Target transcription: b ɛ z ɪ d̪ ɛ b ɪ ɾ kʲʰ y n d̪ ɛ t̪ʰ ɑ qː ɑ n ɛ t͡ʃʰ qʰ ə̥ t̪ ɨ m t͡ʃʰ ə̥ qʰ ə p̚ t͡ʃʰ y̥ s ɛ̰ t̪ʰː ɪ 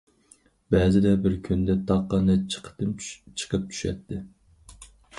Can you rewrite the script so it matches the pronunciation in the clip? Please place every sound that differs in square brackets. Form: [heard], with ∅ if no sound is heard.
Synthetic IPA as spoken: b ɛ z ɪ d̪ ɛ b ɪ ɾ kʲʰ y n d̪ ɛ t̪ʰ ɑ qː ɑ n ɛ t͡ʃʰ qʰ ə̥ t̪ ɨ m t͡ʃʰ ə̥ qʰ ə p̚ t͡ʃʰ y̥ [ʃ] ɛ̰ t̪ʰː ɪ